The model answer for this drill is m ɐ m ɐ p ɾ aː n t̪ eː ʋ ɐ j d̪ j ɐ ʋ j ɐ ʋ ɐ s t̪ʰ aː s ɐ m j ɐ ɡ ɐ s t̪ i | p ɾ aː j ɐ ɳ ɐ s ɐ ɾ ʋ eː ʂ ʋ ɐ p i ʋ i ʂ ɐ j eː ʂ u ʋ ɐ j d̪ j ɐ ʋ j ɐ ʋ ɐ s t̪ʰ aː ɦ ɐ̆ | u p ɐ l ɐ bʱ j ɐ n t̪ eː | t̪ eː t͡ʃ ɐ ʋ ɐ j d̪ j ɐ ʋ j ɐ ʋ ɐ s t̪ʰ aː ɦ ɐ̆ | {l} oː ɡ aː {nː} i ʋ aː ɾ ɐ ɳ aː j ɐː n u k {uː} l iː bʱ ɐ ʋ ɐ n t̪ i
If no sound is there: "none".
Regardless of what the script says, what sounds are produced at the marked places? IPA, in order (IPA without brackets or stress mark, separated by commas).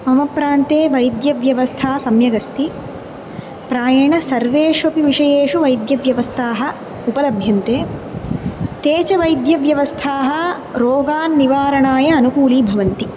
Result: ɾ, nː, uː